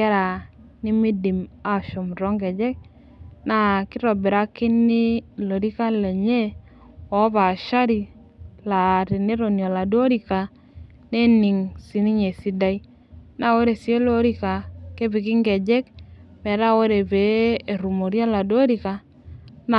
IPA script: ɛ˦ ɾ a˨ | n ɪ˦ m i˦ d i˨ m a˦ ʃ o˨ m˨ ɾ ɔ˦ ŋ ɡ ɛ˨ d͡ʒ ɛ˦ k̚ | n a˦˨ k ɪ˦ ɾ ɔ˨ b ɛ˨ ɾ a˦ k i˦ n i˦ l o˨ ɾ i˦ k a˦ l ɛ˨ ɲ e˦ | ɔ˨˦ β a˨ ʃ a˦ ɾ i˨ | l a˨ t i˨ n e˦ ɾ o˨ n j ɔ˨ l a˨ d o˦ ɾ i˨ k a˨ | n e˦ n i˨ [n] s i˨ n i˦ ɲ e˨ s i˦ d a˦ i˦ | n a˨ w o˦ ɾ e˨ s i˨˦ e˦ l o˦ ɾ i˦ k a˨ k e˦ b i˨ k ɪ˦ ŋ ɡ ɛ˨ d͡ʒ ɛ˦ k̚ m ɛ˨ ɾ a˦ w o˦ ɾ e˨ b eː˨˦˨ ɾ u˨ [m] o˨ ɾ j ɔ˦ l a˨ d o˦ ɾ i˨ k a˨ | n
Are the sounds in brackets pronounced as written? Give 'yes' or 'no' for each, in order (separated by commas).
no, yes